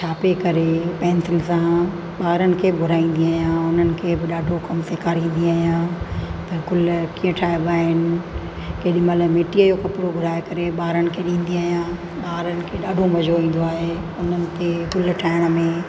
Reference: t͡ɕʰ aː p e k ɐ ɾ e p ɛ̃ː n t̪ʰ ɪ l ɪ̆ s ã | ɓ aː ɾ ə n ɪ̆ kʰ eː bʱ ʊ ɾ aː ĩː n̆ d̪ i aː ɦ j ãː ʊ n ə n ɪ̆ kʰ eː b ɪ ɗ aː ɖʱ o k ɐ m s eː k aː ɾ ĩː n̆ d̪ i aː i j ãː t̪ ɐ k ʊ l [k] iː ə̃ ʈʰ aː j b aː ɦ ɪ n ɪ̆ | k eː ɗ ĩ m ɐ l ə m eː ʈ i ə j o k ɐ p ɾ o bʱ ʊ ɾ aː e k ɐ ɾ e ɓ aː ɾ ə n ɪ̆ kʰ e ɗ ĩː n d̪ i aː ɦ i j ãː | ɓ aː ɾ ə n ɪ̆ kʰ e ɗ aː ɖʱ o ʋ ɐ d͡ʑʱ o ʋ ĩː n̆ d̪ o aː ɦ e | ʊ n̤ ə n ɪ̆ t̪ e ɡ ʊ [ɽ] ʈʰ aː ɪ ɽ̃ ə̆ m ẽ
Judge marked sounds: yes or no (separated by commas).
yes, no